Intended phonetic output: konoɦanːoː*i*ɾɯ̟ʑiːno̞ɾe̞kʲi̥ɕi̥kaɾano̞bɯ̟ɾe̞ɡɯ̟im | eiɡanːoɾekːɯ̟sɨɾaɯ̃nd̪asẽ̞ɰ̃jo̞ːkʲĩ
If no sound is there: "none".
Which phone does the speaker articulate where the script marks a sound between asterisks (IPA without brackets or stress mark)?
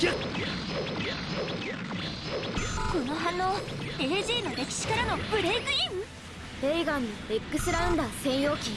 e